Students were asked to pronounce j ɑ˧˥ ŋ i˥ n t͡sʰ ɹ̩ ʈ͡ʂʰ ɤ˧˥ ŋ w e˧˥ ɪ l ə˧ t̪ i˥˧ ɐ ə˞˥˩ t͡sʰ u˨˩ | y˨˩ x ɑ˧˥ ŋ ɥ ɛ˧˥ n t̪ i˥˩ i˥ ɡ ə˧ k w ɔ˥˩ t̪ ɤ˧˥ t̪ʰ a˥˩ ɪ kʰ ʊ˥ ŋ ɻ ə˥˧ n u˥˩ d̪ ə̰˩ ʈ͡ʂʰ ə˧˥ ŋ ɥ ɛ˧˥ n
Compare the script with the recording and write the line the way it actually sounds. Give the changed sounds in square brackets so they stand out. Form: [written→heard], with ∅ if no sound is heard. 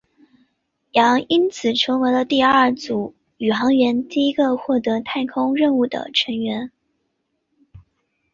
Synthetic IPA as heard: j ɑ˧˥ ŋ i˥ n t͡sʰ ɹ̩ ʈ͡ʂʰ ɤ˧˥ ŋ w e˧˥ ɪ l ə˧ t̪ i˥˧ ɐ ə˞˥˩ [t͡sʰ→t͡s] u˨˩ | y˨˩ x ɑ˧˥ ŋ ɥ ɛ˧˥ n t̪ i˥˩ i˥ ɡ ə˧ [k→x] w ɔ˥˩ t̪ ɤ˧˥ t̪ʰ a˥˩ ɪ kʰ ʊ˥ ŋ ɻ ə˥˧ n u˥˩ d̪ ə̰˩ ʈ͡ʂʰ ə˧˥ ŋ ɥ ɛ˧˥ n